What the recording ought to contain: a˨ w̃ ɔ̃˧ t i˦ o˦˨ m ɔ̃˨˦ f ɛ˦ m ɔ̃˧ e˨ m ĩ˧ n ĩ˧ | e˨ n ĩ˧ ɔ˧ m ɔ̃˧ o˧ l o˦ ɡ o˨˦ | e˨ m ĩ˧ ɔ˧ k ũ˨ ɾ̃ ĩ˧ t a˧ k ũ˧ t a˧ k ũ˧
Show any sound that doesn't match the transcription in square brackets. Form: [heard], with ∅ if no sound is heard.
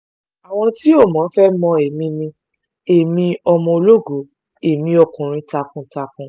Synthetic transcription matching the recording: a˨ w̃ ɔ̃˧ t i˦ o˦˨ m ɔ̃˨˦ f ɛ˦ m ɔ̃˧ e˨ m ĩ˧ n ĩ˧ | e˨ [m] ĩ˧ ɔ˧ m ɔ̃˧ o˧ l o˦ ɡ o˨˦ | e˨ m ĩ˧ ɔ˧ k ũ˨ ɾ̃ ĩ˧ t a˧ k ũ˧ t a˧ k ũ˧